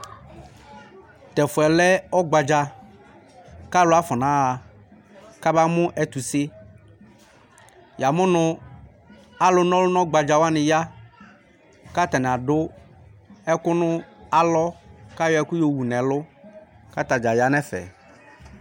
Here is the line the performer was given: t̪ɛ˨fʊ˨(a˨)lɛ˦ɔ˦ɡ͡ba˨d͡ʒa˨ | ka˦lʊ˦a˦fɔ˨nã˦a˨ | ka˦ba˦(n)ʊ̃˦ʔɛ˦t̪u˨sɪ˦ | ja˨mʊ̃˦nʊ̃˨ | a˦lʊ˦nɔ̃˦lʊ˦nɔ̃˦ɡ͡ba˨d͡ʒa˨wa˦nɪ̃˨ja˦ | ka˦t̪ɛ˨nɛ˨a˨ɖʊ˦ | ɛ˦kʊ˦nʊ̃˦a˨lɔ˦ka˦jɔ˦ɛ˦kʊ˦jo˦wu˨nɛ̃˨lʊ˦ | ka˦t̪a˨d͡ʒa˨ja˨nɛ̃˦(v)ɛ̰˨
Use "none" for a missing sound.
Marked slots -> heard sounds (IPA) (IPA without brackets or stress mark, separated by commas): ɛ˨, m, f